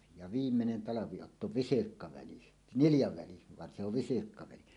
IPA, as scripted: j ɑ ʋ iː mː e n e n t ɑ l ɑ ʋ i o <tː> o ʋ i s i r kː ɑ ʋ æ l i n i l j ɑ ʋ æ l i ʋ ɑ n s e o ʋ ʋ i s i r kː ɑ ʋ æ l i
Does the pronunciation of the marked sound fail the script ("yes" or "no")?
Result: no